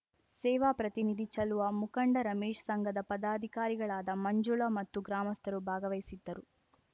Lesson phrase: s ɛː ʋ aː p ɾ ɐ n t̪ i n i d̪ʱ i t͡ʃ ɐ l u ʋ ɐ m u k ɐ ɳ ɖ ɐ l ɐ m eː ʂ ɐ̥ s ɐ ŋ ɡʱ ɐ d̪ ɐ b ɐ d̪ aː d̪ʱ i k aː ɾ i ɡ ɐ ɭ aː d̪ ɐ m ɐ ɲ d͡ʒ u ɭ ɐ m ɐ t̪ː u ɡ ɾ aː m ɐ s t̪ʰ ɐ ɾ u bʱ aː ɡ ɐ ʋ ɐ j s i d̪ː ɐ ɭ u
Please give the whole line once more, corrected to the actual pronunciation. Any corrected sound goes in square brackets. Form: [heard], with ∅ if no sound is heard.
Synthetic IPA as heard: s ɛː ʋ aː p ɾ ɐ [∅] t̪ i n i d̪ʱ i t͡ʃ ɐ l u ʋ ɐ m u k ɐ ɳ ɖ ɐ [ɾ] ɐ m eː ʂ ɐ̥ s ɐ ŋ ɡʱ ɐ d̪ ɐ [p] ɐ d̪ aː d̪ʱ i k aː ɾ i ɡ ɐ ɭ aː d̪ ɐ m ɐ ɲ d͡ʒ u ɭ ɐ m ɐ t̪ː u ɡ ɾ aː m ɐ s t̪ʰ ɐ ɾ u bʱ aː ɡ ɐ ʋ ɐ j s i d̪ː ɐ [ɾ] u